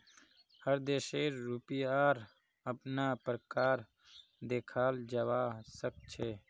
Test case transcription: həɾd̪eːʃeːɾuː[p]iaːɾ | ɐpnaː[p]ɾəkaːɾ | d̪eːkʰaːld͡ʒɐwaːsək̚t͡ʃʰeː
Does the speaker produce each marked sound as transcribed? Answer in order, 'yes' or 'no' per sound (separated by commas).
yes, yes